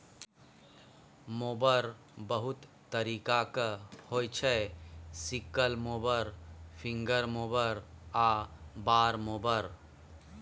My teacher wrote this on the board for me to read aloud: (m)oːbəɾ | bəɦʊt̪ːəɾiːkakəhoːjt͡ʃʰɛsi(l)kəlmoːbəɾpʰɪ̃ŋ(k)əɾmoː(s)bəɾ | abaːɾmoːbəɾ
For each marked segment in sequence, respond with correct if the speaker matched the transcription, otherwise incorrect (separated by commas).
correct, incorrect, incorrect, incorrect